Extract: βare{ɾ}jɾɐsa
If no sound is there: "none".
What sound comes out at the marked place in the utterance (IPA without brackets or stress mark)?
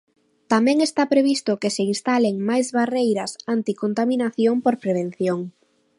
none